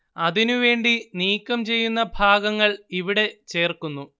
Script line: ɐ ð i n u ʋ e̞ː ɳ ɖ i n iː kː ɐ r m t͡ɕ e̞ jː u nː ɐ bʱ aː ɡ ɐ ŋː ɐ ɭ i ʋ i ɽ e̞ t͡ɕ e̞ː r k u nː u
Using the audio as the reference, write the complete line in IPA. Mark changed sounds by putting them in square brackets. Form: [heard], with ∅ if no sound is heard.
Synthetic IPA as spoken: ɐ ð i n u ʋ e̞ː ɳ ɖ i n iː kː ɐ [∅] m t͡ɕ e̞ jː u nː ɐ bʱ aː ɡ ɐ ŋː ɐ ɭ i ʋ i ɽ e̞ t͡ɕ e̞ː r k u nː u